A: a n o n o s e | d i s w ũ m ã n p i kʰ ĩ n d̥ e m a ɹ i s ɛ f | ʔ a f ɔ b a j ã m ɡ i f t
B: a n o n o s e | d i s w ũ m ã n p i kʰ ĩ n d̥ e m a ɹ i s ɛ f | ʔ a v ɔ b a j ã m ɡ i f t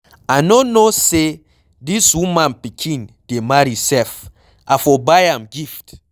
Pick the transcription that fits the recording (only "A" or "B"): A